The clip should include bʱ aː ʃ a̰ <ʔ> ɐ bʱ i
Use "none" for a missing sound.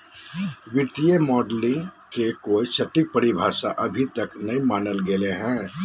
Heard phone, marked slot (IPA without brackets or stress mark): ʔ